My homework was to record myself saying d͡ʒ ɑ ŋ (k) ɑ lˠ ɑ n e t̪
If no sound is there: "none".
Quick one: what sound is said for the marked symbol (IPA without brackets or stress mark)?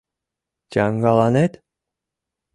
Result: ɡ